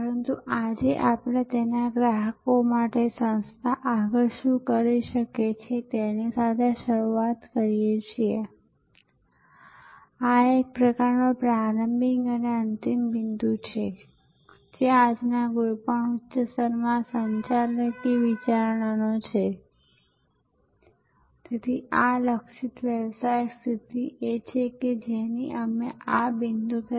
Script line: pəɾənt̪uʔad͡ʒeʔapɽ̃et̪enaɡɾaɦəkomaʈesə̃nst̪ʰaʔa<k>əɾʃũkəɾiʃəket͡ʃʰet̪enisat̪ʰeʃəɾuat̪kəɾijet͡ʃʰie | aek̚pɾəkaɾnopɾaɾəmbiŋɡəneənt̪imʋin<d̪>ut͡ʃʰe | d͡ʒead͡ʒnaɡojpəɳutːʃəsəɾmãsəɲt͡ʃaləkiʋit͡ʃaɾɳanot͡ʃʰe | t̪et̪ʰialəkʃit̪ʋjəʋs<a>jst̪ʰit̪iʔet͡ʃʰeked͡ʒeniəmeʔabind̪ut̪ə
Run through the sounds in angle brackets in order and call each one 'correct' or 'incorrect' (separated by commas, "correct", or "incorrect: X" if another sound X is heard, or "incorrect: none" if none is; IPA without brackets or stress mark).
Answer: incorrect: ɡ, correct, correct